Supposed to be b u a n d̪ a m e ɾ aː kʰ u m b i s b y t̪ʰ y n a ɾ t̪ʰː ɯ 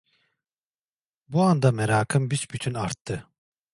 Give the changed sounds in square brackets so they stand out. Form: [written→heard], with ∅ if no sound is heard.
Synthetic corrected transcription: b u a n d̪ a m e ɾ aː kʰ [u→ɯ] m b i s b y t̪ʰ y n a ɾ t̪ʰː ɯ